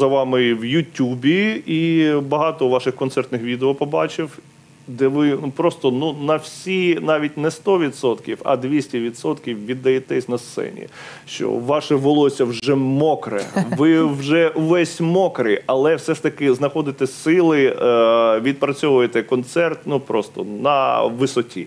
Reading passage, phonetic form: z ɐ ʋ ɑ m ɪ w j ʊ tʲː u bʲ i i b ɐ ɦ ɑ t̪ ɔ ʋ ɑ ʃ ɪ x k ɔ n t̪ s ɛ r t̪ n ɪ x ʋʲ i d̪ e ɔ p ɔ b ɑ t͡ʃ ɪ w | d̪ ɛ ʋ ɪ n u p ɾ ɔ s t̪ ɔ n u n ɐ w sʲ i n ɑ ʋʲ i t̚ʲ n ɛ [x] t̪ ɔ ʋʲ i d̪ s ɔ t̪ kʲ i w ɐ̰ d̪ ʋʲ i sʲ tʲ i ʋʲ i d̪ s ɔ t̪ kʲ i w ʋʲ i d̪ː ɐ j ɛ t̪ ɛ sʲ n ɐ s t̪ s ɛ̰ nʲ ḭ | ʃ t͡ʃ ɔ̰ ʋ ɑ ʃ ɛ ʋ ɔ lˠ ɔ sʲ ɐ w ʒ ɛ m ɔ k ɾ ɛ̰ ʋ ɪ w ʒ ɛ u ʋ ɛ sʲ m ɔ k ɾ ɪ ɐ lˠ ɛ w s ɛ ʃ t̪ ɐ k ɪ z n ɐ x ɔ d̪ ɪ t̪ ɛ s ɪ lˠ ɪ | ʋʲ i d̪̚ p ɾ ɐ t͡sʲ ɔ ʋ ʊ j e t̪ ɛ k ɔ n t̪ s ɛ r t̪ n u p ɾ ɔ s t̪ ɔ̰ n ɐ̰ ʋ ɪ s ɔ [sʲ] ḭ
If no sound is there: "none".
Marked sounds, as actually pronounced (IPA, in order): s, tʲ

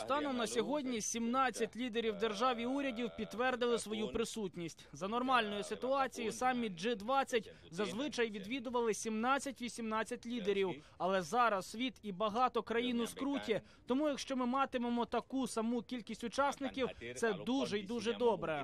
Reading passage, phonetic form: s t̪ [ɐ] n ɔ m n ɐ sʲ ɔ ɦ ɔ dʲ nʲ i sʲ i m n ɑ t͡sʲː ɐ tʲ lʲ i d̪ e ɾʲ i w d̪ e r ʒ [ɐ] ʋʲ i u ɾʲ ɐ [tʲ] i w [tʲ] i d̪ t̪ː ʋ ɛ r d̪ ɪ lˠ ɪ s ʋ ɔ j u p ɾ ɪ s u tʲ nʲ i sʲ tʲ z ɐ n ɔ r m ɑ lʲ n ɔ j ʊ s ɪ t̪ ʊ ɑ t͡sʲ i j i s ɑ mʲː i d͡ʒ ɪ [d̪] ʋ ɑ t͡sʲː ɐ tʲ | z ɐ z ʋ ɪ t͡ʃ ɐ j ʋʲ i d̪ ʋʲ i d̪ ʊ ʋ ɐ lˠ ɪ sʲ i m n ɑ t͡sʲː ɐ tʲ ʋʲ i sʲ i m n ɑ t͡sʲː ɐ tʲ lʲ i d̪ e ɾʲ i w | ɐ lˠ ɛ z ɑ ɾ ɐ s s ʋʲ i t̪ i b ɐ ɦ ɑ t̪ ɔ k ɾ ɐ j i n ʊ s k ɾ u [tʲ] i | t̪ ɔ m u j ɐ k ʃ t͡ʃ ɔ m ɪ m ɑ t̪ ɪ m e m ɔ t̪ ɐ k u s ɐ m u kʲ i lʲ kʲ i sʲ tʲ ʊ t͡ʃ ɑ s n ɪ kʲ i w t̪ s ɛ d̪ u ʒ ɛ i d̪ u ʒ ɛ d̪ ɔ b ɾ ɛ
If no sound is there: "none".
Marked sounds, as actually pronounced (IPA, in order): ɑ, ɑ, dʲ, pʲ, d̪, tʲ

